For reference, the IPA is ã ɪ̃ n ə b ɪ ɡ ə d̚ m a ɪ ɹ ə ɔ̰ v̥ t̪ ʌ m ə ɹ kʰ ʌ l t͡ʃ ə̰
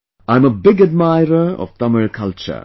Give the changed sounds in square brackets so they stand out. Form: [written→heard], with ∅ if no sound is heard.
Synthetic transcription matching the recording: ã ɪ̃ [n→m] ə b ɪ ɡ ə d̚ m a ɪ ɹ ə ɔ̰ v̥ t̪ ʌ m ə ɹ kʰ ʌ l t͡ʃ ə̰